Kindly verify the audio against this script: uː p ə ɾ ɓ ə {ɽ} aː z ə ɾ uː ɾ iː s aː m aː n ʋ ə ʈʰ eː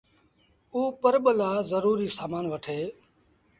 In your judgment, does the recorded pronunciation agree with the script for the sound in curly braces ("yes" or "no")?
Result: no